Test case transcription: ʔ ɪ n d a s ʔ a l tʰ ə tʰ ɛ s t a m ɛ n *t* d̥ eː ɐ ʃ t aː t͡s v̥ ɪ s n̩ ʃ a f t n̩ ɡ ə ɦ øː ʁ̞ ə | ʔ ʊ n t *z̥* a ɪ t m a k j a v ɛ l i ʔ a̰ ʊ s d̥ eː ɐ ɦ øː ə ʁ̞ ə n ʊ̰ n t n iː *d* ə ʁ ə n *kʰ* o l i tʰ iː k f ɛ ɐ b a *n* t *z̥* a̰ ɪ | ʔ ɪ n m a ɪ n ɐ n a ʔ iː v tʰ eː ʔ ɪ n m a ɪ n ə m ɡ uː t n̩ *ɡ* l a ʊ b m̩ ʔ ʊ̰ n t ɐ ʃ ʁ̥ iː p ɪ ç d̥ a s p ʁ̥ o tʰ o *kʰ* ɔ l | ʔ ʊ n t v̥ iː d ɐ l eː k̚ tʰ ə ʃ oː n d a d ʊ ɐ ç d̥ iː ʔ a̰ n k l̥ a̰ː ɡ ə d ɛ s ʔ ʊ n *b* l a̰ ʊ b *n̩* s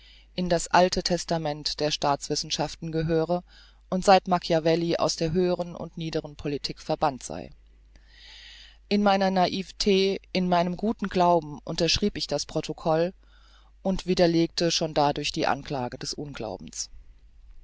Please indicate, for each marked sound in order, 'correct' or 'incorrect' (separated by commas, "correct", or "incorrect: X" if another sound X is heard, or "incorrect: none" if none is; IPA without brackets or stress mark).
correct, correct, correct, incorrect: pʰ, correct, correct, correct, correct, incorrect: ɡ, incorrect: m̩